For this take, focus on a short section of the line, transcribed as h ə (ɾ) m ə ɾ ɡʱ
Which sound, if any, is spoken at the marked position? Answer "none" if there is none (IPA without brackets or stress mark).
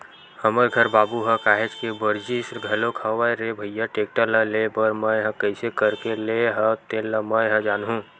none